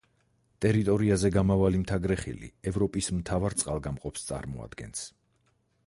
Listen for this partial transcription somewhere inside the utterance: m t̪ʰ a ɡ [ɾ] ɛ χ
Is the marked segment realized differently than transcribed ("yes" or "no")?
no